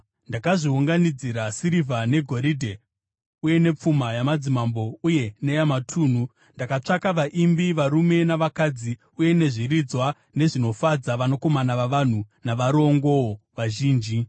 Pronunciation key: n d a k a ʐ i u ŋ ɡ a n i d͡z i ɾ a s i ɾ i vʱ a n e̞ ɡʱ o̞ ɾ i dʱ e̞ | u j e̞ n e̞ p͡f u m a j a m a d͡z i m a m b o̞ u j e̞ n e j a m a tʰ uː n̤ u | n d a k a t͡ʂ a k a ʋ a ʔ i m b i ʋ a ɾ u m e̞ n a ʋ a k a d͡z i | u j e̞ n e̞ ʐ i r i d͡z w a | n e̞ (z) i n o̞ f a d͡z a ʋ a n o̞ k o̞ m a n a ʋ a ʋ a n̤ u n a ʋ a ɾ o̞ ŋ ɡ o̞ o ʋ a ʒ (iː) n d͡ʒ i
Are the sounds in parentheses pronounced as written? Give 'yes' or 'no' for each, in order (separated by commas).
no, yes